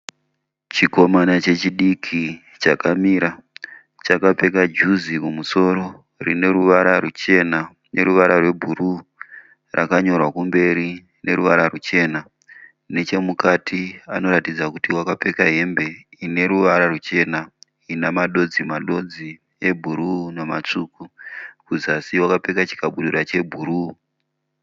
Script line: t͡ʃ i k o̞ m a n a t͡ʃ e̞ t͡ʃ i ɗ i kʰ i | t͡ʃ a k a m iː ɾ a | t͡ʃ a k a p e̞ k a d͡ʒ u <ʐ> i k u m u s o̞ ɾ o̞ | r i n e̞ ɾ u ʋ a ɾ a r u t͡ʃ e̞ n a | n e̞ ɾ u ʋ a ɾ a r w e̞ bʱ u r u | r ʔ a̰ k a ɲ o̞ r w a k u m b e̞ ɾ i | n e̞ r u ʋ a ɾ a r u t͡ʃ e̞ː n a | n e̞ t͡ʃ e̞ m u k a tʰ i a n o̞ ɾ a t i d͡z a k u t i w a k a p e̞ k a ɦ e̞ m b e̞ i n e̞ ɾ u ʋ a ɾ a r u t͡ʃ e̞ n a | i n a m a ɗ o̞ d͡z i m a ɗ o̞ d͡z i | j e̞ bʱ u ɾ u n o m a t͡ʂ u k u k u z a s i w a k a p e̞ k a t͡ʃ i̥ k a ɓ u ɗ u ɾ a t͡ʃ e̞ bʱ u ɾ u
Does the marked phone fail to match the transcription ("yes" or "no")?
yes